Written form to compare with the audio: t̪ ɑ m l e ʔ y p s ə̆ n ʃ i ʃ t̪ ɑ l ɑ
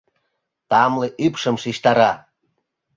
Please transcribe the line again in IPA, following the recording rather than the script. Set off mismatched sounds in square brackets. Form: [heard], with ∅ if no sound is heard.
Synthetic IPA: t̪ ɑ m l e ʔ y p [ʃ] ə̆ [m] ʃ i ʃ t̪ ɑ [ɾ] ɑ